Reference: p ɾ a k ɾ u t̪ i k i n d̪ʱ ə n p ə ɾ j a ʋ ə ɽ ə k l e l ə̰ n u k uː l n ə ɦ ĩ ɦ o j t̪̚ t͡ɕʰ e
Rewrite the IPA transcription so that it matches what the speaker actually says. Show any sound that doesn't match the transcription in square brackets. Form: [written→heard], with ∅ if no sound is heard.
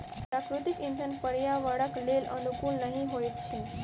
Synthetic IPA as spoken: p ɾ a k ɾ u t̪ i k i n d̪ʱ ə n p ə ɾ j a ʋ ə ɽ ə k l e l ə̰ n u k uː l n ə ɦ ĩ ɦ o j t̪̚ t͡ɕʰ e